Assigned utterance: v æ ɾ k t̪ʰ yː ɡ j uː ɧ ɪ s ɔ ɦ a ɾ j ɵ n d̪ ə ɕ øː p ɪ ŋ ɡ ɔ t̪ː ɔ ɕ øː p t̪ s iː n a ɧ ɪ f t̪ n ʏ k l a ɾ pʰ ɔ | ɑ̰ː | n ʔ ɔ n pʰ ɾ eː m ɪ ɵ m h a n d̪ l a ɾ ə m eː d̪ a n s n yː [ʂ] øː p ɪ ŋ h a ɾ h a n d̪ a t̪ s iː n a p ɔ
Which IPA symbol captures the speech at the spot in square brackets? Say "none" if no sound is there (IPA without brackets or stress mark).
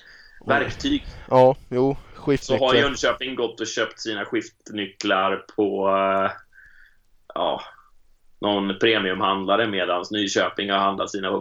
ɕ